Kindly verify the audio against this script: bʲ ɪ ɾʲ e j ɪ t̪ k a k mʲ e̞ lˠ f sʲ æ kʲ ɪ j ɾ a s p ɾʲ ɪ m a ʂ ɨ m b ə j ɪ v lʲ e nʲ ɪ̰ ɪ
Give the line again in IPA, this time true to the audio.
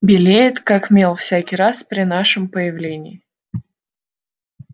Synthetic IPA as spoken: bʲ ɪ lʲ e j ɪ t̪ k a k mʲ e̞ lˠ f sʲ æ kʲ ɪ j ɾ a s p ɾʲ ɪ n a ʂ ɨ m p ə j ɪ v lʲ e nʲ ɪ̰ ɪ